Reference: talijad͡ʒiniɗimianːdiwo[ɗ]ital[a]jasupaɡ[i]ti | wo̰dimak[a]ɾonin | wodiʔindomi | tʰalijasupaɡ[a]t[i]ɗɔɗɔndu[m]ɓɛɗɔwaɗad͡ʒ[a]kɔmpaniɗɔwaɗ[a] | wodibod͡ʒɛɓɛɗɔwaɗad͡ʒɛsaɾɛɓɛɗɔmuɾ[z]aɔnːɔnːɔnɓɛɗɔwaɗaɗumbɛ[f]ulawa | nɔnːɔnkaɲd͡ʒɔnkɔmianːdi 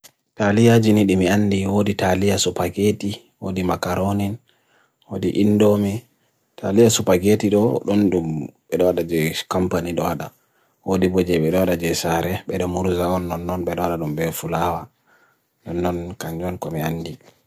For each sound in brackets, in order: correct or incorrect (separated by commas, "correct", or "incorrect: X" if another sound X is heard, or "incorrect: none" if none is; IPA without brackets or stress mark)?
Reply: incorrect: d, incorrect: i, incorrect: e, correct, incorrect: e, correct, correct, incorrect: ɛ, correct, correct, correct